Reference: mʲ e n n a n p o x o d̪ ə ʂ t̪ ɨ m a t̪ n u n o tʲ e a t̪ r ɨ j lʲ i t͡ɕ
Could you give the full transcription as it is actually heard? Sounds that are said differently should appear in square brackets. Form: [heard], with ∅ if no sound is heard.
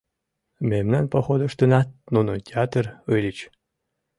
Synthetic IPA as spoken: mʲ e [m] n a n p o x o d̪ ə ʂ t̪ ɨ [n] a t̪ n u n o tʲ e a t̪ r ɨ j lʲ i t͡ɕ